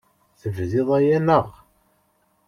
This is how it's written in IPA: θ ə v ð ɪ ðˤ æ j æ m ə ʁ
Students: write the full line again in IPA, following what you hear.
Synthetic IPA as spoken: θ ə v ð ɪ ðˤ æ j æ n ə ʁ